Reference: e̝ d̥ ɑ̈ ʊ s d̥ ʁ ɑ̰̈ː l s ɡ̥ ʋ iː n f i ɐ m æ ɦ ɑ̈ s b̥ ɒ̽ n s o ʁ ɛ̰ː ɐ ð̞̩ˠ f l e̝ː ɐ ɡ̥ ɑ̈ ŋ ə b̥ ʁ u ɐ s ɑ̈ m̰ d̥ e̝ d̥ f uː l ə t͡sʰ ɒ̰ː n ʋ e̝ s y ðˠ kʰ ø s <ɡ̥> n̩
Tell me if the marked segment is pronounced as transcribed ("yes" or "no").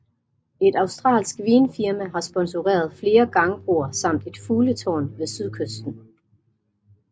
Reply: no